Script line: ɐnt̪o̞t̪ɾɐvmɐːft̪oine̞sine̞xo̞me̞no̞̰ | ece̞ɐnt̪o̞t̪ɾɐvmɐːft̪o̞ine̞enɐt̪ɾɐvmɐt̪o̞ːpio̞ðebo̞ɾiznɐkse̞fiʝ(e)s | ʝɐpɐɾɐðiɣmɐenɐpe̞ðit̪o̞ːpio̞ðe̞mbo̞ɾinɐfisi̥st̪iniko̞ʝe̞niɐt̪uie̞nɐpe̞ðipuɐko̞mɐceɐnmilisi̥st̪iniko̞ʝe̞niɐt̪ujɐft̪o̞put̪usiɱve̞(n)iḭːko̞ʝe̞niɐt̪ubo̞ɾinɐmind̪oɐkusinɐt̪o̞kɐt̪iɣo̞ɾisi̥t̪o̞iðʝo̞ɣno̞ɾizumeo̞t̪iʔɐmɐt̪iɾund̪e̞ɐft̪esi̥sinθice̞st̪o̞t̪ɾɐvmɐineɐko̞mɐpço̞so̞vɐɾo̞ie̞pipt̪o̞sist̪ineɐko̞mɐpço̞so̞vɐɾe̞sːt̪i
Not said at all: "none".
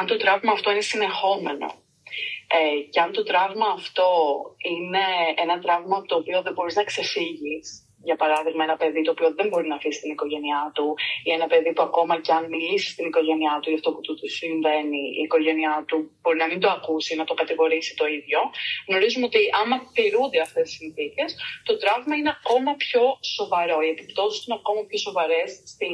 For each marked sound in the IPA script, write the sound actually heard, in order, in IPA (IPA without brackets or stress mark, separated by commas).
i, n